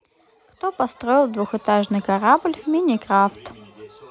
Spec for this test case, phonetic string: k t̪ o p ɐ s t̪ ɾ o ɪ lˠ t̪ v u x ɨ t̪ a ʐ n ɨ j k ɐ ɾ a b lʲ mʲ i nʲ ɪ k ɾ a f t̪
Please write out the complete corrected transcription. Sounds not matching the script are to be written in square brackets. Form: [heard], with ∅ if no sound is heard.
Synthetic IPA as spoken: k t̪ o p ɐ s t̪ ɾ o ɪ lˠ [d̪] v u x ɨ t̪ a ʐ n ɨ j k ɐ ɾ a b lʲ mʲ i nʲ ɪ k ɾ a f t̪